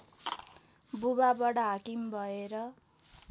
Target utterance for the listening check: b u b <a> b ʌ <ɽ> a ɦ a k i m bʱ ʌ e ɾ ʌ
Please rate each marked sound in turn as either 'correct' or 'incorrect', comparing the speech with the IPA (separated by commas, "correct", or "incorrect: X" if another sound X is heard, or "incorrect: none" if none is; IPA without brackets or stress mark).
correct, correct